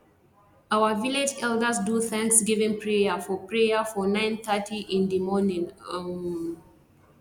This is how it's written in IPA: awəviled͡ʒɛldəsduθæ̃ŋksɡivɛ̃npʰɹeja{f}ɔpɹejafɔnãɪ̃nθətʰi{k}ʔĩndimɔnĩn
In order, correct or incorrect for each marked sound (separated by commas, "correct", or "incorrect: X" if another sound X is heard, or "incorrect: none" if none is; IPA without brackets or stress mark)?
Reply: correct, incorrect: none